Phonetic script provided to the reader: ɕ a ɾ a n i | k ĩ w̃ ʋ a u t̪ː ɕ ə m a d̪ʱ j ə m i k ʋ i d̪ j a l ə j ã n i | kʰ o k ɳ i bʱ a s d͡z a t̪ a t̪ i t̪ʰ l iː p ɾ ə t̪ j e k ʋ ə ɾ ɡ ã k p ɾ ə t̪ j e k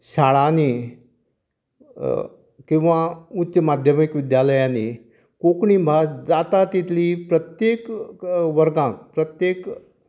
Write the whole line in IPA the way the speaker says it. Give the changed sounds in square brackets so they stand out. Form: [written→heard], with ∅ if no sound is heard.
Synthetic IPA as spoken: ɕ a [ɾ→ɭ] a n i | k ĩ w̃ ʋ a u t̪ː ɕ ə m a d̪ʱ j ə m i k ʋ i d̪ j a l ə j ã n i | [kʰ→k] o k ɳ i bʱ a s d͡z a t̪ a t̪ i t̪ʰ l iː p ɾ ə t̪ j e k ʋ ə ɾ ɡ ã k p ɾ ə t̪ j e k